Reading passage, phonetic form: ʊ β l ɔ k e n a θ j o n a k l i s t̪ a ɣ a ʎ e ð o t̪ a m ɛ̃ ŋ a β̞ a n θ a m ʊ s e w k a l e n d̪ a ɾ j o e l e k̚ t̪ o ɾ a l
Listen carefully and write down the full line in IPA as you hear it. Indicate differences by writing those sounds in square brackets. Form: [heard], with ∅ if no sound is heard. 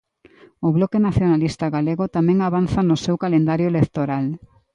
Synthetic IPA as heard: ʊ β l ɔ k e n a θ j o n a [∅] l i s t̪ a ɣ a [l] e [ɣ] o t̪ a m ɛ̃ ŋ a β̞ a n θ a [n] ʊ s e w k a l e n d̪ a ɾ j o e l e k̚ t̪ o ɾ a l